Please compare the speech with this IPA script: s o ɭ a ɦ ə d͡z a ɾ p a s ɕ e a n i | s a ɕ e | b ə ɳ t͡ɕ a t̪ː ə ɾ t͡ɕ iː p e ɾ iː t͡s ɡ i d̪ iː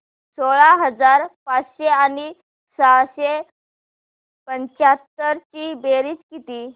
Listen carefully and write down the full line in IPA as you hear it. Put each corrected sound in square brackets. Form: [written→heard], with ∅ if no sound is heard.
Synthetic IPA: s o ɭ a ɦ ə d͡z a ɾ p a [s→t͡s] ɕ e a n i | s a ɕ e | [b→p] ə [ɳ→ɲ] t͡ɕ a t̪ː ə ɾ t͡ɕ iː [p→b] e ɾ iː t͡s [ɡ→k] i [d̪→t̪] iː